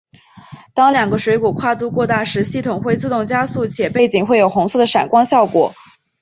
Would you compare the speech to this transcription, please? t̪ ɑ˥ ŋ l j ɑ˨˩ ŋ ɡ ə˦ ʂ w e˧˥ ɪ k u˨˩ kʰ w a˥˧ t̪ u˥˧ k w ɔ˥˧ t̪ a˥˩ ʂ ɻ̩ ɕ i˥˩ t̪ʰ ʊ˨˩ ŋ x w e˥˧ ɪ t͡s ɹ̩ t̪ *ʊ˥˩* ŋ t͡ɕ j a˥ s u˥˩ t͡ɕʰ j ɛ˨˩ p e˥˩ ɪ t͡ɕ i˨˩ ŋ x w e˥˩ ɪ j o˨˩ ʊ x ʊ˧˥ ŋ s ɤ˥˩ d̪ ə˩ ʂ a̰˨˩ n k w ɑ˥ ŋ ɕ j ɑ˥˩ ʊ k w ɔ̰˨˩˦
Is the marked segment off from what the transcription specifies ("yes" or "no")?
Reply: no